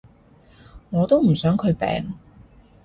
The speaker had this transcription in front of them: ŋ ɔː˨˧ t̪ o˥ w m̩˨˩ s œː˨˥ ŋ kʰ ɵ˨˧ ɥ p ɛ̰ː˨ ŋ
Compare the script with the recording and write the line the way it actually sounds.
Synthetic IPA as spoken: ŋ ɔː˨˧ t̪ o˥ w m̩˨˩ s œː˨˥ ŋ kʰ ɵ˨˧ ɥ p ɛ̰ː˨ ŋ

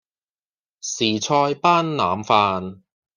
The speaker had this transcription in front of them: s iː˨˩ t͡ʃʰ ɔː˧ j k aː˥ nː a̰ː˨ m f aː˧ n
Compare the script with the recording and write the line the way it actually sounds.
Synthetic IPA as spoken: s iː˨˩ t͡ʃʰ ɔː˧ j p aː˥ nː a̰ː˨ m f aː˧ n

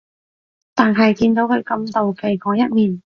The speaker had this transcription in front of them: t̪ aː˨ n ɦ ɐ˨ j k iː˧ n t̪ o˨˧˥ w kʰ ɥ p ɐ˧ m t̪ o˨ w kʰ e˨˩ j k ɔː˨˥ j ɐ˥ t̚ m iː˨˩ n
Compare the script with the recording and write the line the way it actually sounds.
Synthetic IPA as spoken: t̪ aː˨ n ɦ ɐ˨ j k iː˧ n t̪ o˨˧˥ w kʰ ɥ k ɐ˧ m t̪ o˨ w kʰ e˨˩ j k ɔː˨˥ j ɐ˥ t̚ m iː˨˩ n

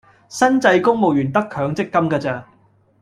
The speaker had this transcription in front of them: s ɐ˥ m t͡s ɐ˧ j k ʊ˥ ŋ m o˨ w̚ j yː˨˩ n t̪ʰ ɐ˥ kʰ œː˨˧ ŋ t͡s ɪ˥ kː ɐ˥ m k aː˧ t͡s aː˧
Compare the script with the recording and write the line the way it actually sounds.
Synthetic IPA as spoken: s ɐ˥ n t͡s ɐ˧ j k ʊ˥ ŋ m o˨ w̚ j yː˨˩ n t̪ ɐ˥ kʰ œː˨˧ ŋ t͡s ɪ˥ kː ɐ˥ m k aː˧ t͡s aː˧

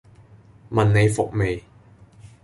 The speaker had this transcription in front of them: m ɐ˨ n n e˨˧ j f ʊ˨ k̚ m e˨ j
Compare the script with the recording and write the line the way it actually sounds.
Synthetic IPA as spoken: m ɐ˨ n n e˨˧ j f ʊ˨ k̚ m e˨ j

